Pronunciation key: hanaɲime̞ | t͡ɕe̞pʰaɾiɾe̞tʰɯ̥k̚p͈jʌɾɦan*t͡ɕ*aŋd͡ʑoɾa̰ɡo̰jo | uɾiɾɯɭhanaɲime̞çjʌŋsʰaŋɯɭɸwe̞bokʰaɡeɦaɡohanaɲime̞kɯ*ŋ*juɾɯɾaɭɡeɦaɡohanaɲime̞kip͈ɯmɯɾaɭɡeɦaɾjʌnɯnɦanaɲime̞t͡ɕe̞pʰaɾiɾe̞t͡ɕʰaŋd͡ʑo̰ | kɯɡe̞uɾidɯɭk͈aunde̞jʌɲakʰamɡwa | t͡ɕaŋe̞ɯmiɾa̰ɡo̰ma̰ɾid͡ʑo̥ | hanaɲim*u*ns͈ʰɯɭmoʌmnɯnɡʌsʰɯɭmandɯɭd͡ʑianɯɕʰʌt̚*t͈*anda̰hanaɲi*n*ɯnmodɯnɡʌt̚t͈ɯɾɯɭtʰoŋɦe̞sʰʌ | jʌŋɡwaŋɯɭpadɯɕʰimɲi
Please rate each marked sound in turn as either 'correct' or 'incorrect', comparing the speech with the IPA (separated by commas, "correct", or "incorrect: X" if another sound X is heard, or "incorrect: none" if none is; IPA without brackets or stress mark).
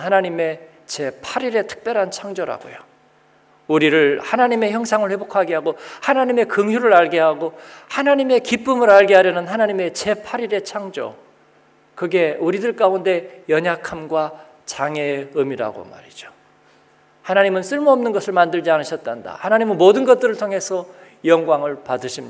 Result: incorrect: t͡ɕʰ, correct, incorrect: ɯ, correct, incorrect: m